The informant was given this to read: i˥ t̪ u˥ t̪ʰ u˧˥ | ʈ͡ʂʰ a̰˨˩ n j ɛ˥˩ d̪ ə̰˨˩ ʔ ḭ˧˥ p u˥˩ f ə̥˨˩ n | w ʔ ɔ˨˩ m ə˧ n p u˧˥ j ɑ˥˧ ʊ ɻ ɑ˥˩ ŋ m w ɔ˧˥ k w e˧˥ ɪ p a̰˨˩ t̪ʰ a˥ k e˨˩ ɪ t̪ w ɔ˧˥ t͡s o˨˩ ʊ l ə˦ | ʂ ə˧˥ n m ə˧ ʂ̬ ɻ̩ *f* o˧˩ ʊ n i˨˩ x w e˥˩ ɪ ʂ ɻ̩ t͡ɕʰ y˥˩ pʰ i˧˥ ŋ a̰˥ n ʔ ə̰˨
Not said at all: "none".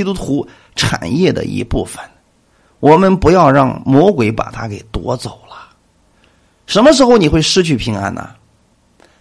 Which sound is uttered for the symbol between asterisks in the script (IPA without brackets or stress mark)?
x